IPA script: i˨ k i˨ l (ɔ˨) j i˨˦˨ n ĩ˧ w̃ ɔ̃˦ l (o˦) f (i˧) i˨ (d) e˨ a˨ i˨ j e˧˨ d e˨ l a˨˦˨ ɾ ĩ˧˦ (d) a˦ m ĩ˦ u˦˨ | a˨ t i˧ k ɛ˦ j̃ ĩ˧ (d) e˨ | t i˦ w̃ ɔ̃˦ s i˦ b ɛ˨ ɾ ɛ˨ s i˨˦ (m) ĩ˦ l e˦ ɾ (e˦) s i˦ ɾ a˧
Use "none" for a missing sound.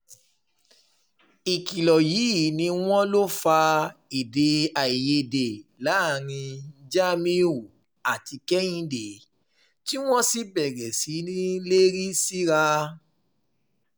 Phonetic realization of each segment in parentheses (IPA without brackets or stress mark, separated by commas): ɔ˨, o˦, a˧, d, d͡ʒ, d, n, i˦